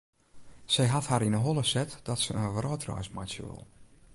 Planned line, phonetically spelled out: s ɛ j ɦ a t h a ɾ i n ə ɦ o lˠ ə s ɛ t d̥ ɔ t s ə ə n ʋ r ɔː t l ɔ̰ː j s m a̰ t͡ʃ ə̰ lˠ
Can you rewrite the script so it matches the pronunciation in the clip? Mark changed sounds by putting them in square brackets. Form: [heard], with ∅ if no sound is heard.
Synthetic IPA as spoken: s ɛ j ɦ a t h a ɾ i n ə ɦ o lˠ ə s ɛ t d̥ ɔ t s ə ə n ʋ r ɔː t [r] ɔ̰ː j s m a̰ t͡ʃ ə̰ lˠ